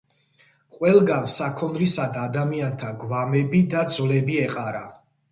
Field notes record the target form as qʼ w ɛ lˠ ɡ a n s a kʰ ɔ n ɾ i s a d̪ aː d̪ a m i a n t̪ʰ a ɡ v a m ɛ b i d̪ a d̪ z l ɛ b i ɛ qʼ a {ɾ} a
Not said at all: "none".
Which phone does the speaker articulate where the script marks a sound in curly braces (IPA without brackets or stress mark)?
ɾ